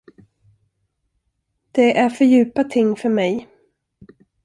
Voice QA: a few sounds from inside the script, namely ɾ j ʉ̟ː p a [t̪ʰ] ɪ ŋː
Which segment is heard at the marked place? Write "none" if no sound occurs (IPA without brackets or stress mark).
t̪ʰ